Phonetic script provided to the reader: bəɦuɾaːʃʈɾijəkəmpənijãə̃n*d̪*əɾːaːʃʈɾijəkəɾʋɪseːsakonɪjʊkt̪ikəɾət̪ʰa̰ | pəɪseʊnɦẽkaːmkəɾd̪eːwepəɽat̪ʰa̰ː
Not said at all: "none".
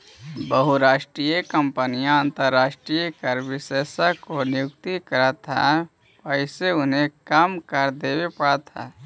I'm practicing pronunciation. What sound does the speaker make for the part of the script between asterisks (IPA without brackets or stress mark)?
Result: t̪